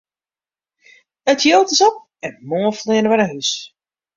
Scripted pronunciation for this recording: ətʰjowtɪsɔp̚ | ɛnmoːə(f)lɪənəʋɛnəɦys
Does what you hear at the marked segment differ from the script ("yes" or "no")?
no